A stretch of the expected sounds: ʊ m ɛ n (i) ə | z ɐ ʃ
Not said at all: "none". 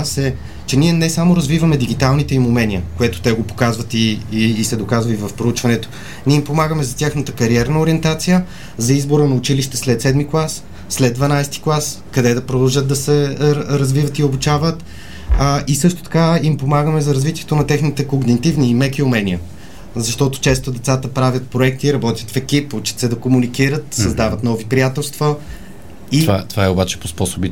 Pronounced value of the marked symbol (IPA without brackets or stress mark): i